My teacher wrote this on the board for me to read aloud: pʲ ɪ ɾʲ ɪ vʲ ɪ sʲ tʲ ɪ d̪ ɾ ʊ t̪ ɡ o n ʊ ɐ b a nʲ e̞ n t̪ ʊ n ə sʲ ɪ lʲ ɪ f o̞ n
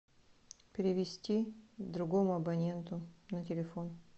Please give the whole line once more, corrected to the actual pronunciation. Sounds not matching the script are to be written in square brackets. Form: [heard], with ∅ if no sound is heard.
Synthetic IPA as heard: pʲ ɪ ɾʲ ɪ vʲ ɪ sʲ tʲ [i] d̪ ɾ ʊ [∅] ɡ o [m] ʊ ɐ b [ɐ] nʲ e̞ n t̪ ʊ n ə [tʲ] ɪ lʲ ɪ f o̞ n